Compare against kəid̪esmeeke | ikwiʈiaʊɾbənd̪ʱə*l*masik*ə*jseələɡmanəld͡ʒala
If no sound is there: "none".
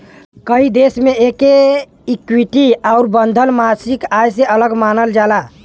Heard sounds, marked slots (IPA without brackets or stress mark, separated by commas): l, a